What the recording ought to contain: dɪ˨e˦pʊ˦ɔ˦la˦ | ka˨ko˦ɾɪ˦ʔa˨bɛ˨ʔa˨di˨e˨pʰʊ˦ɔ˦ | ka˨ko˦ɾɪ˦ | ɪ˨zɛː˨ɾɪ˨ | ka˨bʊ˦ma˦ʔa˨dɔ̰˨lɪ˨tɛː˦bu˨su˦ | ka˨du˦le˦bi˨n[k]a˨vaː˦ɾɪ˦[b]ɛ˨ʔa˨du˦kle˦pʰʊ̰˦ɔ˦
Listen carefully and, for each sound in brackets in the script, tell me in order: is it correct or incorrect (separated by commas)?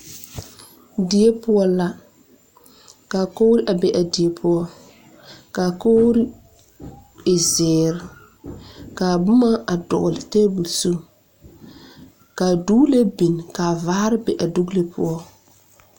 correct, correct